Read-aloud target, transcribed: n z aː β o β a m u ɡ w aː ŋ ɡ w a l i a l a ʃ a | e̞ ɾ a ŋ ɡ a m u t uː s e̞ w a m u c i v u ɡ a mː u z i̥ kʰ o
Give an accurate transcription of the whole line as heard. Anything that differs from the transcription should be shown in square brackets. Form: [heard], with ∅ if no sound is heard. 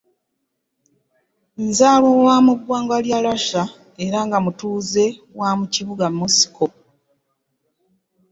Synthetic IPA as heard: n z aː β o [w] a m u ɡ w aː ŋ ɡ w a l [j] a l a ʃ a | e̞ ɾ a ŋ ɡ a m u t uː [z] e̞ w a m u c i [β] u ɡ a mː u [s] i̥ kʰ o